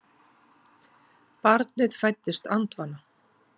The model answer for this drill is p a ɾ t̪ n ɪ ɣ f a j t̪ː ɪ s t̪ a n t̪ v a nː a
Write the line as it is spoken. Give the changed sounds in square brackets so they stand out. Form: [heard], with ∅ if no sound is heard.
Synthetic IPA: p a ɾ t̪ n ɪ [ð] f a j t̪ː ɪ s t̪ a n t̪ v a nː a

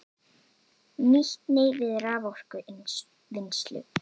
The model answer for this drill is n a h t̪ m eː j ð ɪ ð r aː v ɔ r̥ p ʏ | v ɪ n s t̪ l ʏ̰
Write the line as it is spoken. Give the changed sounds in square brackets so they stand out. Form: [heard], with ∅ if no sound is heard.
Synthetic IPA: n [i] h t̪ [n] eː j [v] ɪ ð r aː v ɔ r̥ [k] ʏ | v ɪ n s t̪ l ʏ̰

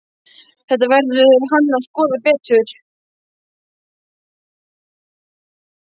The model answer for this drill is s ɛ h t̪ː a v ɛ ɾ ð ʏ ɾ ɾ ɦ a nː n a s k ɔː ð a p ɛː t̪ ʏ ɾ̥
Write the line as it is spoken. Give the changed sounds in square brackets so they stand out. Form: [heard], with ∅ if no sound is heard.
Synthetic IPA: [θ] ɛ h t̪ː a v ɛ ɾ ð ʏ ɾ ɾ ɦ a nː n a s k ɔː ð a p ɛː t̪ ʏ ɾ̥

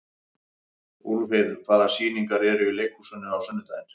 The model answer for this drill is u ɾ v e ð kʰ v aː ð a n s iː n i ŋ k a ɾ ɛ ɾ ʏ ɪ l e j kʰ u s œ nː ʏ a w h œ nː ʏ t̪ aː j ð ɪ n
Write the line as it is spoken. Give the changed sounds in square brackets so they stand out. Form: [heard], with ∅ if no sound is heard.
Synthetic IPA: u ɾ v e ð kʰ v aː ð a [∅] s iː n i ŋ k a ɾ ɛ ɾ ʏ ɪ l e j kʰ u s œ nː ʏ a w [s] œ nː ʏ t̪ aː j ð ɪ n

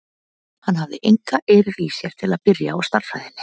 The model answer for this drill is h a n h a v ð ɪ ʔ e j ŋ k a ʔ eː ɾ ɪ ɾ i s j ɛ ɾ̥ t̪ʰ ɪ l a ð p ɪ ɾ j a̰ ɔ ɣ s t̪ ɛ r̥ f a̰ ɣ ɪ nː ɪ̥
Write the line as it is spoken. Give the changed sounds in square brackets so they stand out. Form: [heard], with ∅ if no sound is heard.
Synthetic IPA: h a n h a v ð ɪ ʔ e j ŋ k a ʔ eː ɾ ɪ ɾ i s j ɛ ɾ̥ t̪ʰ ɪ l a ð p ɪ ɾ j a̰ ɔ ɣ s t̪ [a] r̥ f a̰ [ð] ɪ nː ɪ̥

